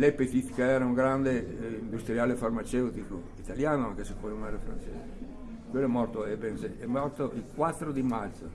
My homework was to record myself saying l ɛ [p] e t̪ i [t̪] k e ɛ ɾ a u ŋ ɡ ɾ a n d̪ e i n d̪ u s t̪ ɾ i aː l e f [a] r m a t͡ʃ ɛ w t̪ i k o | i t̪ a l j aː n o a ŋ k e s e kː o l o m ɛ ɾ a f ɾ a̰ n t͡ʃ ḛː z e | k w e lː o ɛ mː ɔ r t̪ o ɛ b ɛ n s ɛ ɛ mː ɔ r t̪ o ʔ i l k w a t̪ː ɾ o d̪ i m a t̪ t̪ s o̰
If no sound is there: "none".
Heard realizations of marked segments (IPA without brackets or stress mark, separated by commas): p, t̪, a